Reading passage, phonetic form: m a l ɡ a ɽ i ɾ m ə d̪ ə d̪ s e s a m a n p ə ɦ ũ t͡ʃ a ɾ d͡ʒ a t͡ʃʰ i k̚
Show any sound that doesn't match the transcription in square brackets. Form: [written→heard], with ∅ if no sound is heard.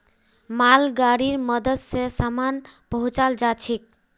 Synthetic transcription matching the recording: m a l ɡ a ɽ i ɾ m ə d̪ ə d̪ s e s a m a n p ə ɦ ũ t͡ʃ a [ɾ→l] d͡ʒ a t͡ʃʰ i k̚

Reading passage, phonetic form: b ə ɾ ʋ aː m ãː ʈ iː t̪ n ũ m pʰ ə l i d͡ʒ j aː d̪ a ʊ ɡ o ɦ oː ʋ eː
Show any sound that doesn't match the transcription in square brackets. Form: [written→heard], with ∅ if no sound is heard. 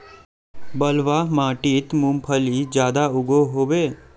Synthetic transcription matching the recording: b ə [ɾ→l] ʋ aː m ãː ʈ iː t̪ [n→m] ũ m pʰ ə l i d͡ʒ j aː d̪ a ʊ ɡ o ɦ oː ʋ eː

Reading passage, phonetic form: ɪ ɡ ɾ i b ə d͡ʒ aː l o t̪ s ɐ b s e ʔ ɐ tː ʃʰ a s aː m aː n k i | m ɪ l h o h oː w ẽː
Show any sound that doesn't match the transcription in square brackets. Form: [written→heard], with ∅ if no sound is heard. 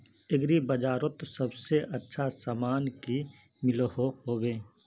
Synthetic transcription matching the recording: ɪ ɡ ɾ i b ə d͡ʒ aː [l→ɾ] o t̪ s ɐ b s e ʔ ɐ tː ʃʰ a s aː m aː n k i | m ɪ l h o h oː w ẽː

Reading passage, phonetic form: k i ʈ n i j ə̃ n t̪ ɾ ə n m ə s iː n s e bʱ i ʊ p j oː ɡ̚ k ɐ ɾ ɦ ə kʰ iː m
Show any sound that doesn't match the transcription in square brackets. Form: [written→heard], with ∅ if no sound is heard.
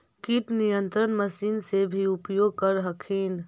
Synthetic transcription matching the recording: k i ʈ n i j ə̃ n t̪ ɾ ə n m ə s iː n s e bʱ i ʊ p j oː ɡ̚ k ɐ ɾ ɦ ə kʰ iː [m→n]

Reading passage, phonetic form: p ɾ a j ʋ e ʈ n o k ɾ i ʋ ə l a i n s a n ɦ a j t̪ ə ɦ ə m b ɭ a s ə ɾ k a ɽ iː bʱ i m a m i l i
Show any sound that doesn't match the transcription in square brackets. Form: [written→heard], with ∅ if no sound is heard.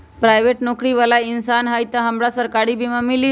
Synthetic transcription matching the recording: p ɾ a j ʋ e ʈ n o k ɾ i ʋ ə l a i n s a n ɦ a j t̪ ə ɦ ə m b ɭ a s ə ɾ k a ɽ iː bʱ i m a m i l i

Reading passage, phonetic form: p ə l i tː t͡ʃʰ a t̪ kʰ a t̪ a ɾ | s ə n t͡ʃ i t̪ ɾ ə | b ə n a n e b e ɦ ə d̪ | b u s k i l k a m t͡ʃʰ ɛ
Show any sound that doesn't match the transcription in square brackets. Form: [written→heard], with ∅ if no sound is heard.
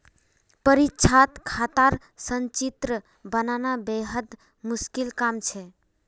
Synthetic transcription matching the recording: p ə [l→ɾ] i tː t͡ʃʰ a t̪ kʰ a t̪ a ɾ | s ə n t͡ʃ i t̪ ɾ ə | b ə n a n [e→a] b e ɦ ə d̪ | [b→m] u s k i l k a m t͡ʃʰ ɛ

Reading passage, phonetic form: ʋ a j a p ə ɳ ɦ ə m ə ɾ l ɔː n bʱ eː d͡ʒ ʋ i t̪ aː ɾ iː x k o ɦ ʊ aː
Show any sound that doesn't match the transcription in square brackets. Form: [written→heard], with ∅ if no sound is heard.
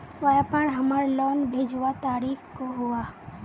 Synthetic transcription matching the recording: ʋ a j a p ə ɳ ɦ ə m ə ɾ l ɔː n bʱ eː d͡ʒ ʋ [i→a] t̪ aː ɾ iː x k o ɦ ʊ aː

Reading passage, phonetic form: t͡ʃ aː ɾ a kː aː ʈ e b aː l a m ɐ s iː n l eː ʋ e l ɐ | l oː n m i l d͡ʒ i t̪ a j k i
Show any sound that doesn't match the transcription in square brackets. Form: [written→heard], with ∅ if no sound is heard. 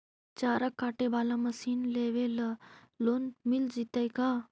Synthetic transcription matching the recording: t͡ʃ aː ɾ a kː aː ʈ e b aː l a m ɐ s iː n l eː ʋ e l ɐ | l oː n m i l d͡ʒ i t̪ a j k [i→a]

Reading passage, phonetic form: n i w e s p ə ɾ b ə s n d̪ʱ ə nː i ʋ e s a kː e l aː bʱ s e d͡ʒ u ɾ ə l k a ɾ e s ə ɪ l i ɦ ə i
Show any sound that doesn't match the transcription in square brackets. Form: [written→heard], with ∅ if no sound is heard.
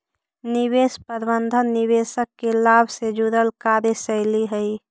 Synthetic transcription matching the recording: n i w e s p ə ɾ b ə [s→∅] n d̪ʱ ə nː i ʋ e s [a→ə] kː e l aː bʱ s e d͡ʒ u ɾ ə l k a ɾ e s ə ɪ l i ɦ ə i

